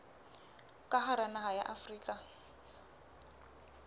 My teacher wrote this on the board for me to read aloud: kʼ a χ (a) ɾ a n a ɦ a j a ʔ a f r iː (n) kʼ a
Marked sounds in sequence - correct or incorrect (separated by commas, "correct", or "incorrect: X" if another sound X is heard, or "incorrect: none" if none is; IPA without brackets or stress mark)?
correct, incorrect: none